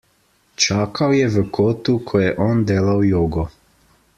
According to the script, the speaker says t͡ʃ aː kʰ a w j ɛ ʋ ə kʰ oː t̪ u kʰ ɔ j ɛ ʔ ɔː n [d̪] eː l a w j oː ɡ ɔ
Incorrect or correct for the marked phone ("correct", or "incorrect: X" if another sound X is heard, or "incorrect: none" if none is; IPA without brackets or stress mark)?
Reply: correct